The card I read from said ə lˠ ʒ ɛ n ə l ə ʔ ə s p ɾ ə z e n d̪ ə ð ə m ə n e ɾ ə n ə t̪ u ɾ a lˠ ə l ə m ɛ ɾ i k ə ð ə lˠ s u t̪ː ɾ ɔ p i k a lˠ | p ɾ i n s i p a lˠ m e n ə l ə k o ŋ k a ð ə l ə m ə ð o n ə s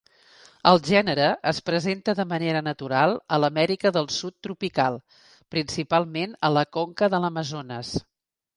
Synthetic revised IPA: ə lˠ ʒ ɛ n ə ɾ ə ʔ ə s p ɾ ə z e n t̪ ə ð ə m ə n e ɾ ə n ə t̪ u ɾ a lˠ ə l ə m ɛ ɾ i k ə ð ə lˠ s u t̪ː ɾ u p i k a lˠ | p ɾ i n s i p a lˠ m e n ə l ə k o ŋ k ə ð ə l ə m ə z o n ə s